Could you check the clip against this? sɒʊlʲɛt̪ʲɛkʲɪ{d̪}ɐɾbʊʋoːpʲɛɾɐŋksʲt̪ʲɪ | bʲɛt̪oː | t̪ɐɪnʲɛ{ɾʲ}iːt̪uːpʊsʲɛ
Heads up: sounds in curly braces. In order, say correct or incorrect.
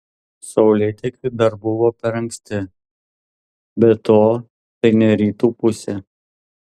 correct, correct

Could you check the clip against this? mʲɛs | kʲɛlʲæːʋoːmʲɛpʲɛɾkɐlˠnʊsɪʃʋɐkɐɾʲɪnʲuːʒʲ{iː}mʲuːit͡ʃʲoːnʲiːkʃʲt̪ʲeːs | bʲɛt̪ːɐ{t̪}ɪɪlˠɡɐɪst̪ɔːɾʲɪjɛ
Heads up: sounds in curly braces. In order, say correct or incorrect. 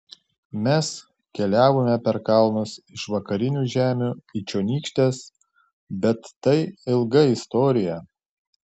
incorrect: æː, incorrect: none

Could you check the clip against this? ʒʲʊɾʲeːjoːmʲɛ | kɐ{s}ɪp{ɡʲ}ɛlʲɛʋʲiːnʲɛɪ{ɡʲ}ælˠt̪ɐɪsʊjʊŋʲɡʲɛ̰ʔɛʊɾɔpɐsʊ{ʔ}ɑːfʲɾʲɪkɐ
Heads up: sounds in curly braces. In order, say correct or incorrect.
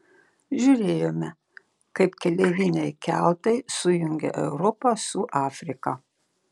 incorrect: none, incorrect: kʲ, incorrect: kʲ, correct

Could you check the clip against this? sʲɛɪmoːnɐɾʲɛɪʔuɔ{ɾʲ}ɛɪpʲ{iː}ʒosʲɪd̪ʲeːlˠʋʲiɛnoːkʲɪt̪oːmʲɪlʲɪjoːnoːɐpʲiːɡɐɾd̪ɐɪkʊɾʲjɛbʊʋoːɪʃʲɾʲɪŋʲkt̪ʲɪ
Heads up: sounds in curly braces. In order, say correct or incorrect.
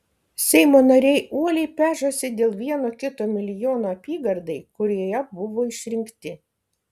incorrect: lʲ, incorrect: æː

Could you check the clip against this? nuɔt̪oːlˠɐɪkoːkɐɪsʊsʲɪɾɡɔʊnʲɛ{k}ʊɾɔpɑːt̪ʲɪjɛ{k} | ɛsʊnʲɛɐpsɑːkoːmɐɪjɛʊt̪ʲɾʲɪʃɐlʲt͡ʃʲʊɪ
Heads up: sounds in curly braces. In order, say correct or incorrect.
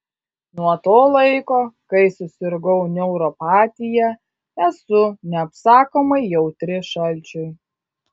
incorrect: none, incorrect: none

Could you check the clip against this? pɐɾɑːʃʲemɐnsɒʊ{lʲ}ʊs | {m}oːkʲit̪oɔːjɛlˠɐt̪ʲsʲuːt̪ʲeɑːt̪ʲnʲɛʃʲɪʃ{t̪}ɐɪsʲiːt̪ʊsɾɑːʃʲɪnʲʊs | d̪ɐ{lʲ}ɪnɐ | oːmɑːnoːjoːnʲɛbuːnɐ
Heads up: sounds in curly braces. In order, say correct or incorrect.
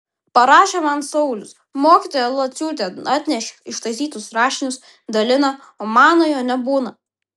correct, correct, correct, correct

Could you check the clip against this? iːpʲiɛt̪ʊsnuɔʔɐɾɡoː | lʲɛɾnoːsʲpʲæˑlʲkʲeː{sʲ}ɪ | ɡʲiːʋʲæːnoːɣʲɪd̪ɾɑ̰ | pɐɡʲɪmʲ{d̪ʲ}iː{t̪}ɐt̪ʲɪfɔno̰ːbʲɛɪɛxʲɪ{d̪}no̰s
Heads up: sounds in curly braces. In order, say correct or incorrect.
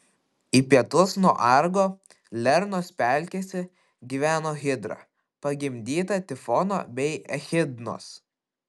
correct, correct, correct, correct

